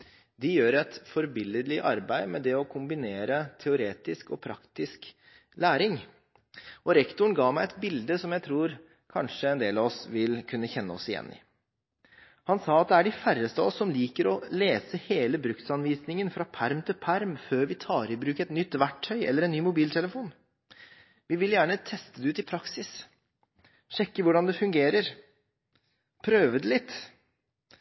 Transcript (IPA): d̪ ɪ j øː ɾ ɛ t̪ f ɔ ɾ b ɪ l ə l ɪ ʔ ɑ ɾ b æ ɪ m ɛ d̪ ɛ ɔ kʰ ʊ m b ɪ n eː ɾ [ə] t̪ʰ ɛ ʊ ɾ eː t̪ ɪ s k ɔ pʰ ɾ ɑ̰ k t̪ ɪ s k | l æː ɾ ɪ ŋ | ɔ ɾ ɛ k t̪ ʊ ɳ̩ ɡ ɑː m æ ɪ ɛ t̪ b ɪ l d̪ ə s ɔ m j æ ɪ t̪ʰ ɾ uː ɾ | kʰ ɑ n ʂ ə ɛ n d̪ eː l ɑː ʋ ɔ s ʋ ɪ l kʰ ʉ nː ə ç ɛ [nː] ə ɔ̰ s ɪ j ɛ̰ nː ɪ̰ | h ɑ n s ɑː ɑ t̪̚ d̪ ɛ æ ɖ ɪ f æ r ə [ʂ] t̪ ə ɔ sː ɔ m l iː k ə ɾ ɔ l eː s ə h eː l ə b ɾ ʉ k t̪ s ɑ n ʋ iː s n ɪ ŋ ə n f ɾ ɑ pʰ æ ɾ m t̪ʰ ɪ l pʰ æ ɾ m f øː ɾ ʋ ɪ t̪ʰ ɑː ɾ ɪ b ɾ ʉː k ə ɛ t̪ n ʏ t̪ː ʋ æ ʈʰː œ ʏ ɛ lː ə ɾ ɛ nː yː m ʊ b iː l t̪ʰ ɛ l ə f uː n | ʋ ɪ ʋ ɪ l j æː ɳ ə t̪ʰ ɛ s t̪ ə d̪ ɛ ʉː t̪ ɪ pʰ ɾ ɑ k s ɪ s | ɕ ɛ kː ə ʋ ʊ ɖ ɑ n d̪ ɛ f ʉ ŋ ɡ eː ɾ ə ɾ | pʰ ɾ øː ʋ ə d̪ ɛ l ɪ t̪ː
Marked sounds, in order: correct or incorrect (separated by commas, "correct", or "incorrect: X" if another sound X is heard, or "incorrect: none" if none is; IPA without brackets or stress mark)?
correct, correct, incorrect: s